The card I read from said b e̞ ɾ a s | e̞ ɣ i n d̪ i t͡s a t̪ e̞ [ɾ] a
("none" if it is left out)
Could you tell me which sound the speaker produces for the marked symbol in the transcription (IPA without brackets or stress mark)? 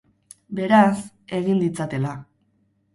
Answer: l